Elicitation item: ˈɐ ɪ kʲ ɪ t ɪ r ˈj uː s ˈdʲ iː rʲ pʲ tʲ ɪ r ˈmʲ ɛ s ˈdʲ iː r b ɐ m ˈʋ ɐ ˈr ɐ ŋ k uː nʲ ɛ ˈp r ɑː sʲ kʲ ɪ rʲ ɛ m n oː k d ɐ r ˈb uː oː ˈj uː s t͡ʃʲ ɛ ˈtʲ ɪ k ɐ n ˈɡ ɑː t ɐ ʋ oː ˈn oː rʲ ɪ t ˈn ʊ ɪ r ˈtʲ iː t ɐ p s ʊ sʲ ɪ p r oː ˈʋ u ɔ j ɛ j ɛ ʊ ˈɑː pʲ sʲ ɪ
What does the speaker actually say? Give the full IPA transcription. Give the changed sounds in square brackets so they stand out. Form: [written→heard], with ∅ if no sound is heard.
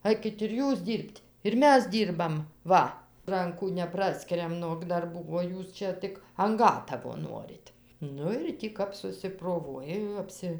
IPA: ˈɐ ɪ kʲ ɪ t ɪ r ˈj uː s ˈdʲ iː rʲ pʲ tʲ ɪ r ˈmʲ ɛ s ˈdʲ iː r b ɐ m ˈʋ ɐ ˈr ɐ ŋ k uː nʲ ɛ ˈp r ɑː sʲ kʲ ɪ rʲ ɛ m n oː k d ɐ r ˈb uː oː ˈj uː s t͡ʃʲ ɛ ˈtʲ ɪ k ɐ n ˈɡ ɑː t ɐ ʋ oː ˈn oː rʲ ɪ t ˈn ʊ ɪ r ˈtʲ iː [t→k] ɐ p s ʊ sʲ ɪ p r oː ˈʋ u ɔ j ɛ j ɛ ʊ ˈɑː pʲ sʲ ɪ